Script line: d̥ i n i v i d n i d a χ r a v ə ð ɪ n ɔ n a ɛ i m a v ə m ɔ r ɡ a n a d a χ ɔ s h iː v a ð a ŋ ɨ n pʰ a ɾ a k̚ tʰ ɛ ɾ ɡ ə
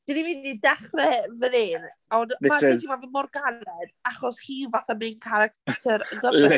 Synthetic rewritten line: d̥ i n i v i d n i d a χ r ɛ v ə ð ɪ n ɔ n a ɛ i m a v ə m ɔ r ɡ a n ɛ d a χ ɔ s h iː v a θ a m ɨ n kʰ a ɾ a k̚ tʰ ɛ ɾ ɡ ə